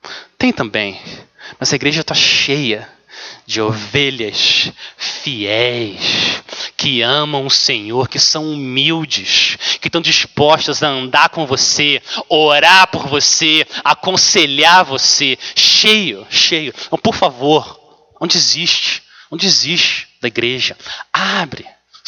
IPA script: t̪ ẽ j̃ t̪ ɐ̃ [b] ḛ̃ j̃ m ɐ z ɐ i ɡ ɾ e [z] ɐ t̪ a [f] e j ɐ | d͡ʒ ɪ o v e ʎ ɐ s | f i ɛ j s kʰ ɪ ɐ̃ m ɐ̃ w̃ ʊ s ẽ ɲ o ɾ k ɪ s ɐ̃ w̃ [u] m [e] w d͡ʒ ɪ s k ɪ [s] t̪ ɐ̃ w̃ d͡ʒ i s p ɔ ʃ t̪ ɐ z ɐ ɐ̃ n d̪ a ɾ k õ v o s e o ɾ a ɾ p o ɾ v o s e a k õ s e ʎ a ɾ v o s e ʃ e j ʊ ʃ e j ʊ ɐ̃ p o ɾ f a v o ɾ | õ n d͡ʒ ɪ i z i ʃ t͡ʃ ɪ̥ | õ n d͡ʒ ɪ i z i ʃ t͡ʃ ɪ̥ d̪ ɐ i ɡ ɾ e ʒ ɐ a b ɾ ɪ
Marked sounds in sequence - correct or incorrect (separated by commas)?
correct, incorrect, incorrect, correct, incorrect, incorrect